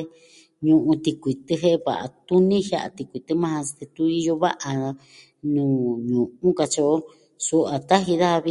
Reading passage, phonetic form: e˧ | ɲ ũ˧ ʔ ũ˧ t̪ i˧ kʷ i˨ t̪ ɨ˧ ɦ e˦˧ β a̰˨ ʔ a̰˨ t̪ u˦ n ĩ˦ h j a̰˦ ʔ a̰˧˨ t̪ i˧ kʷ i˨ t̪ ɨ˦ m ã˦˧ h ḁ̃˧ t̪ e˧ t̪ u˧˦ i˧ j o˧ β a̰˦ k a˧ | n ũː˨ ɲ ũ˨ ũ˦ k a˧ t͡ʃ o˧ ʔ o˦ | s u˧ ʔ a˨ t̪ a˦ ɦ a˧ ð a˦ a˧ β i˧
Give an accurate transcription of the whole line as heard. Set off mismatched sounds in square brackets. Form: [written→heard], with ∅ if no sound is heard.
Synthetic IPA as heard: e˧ | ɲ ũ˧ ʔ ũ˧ t̪ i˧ kʷ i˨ t̪ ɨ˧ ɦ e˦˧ β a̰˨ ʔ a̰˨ t̪ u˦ n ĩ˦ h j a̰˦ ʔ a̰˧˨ t̪ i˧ kʷ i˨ t̪ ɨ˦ m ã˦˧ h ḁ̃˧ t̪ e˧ t̪ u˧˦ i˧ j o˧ β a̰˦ [k→ʔ] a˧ | n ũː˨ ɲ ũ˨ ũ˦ k a˧ t͡ʃ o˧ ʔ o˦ | s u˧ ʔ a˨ t̪ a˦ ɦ [a˧→i˧] ð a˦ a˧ β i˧